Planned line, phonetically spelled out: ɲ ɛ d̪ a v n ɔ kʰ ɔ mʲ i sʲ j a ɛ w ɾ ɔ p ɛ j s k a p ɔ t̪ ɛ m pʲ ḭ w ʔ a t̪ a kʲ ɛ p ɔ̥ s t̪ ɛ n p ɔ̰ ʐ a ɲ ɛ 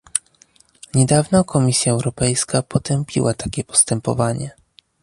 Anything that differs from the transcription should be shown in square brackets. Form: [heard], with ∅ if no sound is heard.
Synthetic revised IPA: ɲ ɛ d̪ a v n ɔ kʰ ɔ mʲ i sʲ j a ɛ w ɾ ɔ p ɛ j s k a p ɔ t̪ ɛ m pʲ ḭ w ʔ a t̪ a kʲ ɛ p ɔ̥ s t̪ ɛ [m] p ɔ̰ [v] a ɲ ɛ